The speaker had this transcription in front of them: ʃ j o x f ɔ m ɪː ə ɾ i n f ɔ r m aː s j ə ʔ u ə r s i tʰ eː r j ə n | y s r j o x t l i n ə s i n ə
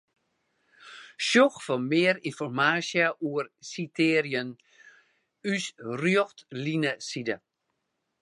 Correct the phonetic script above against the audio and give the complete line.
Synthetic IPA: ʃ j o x f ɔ m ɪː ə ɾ i n f ɔ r m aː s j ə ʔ u ə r s i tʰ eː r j ə n | y s r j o x t l i n ə s i d ə

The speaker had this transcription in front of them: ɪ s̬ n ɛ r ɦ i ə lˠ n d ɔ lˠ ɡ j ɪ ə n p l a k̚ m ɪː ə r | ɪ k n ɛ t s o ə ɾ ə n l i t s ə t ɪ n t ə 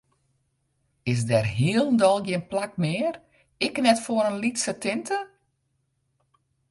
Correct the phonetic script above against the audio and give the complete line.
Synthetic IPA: ɪ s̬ d ɛ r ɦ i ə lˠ n d ɔ lˠ ɡ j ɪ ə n p l a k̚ m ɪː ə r | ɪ k n ɛ t f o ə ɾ ə n l i t s ə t ɪ n t ə

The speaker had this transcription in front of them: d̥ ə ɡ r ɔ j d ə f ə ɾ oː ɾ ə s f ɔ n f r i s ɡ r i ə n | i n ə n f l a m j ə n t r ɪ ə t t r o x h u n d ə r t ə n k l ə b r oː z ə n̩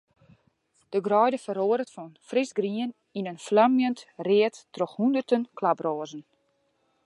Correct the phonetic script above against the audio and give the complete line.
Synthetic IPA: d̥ ə ɡ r ɔ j d ə f ə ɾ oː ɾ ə t f ɔ n f r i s ɡ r i ə n | i n ə n f l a m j ə n t r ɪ ə t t r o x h u n d ə r t ə n k l a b r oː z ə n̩

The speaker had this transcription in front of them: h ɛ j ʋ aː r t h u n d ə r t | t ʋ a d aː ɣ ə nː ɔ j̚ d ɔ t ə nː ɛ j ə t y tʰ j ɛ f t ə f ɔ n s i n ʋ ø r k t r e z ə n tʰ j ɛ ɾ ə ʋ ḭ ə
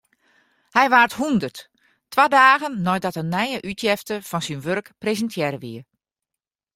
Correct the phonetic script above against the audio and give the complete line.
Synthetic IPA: h ɛ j ʋ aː r t h u n d ə r t | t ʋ a d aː ɣ ə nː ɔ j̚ d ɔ t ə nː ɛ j ə ʔ y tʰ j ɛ f t ə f ɔ n s i n ʋ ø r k p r e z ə n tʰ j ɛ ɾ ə ʋ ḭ ə

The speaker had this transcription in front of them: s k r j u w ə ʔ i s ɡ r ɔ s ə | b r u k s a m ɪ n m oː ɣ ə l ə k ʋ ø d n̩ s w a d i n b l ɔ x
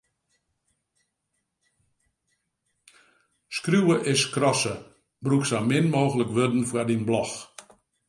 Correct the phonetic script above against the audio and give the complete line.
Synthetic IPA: s k r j u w ə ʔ ɪ s k r ɔ s ə | b r u k s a m ɪ n m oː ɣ ə l ə k ʋ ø d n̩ f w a d i n b l ɔ x

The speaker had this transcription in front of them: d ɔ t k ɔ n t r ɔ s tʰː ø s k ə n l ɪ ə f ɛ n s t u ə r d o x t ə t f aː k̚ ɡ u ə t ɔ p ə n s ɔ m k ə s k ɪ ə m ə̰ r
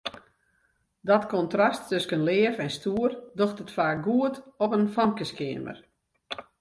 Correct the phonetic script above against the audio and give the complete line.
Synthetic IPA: d ɔ t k ɔ n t r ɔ s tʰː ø s k ə n l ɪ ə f ɛ n s t u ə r d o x t ə t f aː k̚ ɡ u ə t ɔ p ə n f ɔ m k ə s k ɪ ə m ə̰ r

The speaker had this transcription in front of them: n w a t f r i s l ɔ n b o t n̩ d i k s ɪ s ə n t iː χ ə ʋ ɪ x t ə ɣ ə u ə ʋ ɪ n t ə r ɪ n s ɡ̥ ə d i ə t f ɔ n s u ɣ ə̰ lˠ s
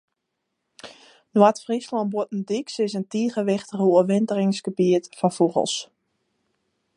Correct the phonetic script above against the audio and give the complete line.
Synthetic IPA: n w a t f r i s l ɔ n b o t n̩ d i k s ɪ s ə n t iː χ ə ʋ ɪ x t ə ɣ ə u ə ʋ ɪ n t ə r ɪ ŋ s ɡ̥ ə b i ə t f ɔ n f u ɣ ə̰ lˠ s

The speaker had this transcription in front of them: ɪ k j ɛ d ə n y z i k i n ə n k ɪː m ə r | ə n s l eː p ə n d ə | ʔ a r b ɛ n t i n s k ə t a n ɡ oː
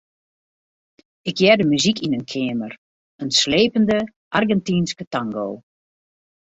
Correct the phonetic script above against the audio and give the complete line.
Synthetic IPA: ɪ k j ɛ d ə m y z i k i n ə n kʰ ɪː m ə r | ə n s l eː p ə n d ə | ʔ a r ɡ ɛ n t i n s k ə t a ŋ ɡ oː

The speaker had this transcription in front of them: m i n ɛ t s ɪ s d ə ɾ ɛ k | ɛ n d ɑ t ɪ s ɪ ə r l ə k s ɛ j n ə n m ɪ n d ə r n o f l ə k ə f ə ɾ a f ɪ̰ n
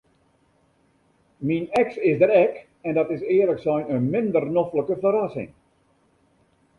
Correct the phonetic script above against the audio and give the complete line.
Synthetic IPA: m i n ɛ k s ɪ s d ə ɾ ɛ k | ɛ n d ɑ t ɪ s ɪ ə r l ə k s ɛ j n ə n m ɪ n d ə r n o f l ə k ə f ə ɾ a s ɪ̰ ŋ

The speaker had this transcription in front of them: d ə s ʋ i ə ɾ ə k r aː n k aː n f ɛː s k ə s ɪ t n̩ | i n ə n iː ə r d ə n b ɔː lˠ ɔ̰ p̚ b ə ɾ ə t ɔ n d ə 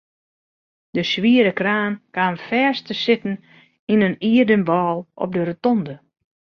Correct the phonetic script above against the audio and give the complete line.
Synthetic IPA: d ə s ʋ i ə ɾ ə k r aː n k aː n f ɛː s t ə s ɪ t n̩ | i n ə n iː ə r d ə n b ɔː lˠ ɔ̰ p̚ d ə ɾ ə t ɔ n d ə

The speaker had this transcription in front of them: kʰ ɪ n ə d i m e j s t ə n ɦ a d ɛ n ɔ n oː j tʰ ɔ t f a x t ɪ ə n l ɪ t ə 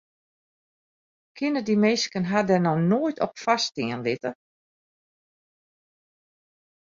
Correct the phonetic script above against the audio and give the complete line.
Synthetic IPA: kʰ ɪ n ə d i m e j s k ə n ɦ a d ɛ n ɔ n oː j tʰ ɔ p f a s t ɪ ə n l ɪ t ə

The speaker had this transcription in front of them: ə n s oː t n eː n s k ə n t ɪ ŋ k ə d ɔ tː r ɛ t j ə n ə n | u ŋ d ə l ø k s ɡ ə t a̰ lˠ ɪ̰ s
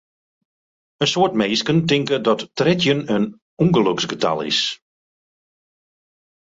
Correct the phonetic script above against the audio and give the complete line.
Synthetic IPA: ə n s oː t m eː s k ə n t ɪ ŋ k ə d ɔ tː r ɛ t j ə n ə n | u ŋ ɡ ə l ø k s ɡ ə t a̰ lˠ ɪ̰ s

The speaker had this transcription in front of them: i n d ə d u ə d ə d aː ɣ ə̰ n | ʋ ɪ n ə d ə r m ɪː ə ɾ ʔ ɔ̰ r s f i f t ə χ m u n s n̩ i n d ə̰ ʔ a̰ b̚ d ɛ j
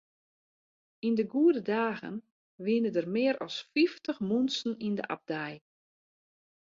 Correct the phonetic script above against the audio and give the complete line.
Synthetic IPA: i n d ə ɡ u ə d ə d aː ɣ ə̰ n | ʋ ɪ n ə d ə r m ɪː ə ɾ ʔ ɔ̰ s f i f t ə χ m u n s n̩ i n d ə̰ ʔ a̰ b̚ d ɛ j

